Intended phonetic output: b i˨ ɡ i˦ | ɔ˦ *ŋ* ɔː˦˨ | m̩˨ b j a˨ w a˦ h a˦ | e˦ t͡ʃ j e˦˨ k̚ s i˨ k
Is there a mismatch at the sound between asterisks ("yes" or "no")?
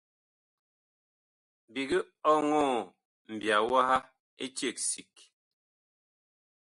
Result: no